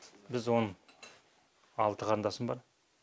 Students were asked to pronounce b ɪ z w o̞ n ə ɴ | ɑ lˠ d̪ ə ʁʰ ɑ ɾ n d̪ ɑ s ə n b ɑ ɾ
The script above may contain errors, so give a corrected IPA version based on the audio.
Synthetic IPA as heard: b ɪ z w o̞ n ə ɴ | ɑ lˠ t̪ ə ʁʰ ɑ ɾ n d̪ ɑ s ə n b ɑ ɾ